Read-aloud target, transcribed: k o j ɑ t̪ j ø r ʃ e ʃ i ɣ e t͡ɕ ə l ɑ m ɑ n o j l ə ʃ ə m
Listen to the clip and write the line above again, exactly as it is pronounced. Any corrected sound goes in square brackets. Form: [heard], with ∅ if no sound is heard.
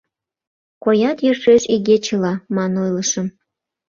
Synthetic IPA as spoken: k o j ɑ t̪ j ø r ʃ e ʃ i ɣ e t͡ɕ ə l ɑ m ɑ n o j l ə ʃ ə m